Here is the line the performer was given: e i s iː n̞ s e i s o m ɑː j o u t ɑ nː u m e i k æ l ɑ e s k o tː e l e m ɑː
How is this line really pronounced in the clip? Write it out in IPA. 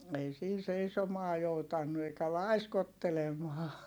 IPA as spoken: e i s iː n̞ s e i s o m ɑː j o u t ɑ nː u e i k æ l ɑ i s k o tː e l e m ɑː